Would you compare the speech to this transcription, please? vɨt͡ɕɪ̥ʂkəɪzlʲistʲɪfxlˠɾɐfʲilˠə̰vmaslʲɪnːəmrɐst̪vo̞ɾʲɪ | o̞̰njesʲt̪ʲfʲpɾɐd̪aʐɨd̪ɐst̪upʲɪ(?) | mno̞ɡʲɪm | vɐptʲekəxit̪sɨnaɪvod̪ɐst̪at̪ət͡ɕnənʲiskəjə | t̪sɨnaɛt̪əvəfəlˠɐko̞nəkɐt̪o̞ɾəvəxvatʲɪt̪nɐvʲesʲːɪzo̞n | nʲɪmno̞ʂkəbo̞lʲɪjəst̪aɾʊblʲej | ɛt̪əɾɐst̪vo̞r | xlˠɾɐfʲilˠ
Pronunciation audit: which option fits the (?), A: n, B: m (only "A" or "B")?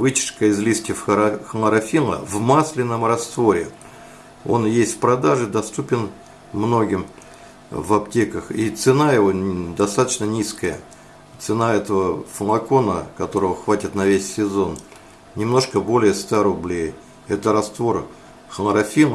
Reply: A